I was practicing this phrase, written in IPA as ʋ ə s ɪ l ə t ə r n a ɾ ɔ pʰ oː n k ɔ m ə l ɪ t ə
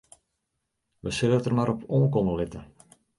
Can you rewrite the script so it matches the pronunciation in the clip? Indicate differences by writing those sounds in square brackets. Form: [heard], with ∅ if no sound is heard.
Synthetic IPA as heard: ʋ ə s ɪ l ə t ə r [m] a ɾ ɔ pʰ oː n k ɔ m ə l ɪ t ə